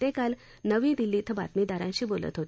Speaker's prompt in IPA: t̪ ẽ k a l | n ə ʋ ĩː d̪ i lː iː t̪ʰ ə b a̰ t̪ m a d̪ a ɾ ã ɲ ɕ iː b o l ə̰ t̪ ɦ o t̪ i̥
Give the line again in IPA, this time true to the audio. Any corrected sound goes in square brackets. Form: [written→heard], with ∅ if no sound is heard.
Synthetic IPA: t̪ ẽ k a l | n ə ʋ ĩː d̪ i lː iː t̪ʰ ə b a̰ t̪ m [a→i] d̪ a ɾ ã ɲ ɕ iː b o l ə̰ t̪ ɦ o t̪ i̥